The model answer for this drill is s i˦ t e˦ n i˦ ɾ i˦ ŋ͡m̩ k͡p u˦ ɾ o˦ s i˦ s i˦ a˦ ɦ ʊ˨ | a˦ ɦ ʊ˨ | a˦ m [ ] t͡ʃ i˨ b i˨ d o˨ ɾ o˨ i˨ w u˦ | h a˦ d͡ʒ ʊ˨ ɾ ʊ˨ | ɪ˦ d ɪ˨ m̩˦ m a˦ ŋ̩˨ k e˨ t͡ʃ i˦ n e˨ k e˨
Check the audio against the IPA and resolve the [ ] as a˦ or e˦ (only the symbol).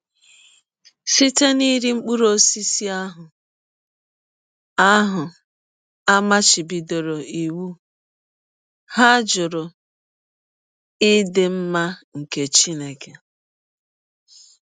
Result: a˦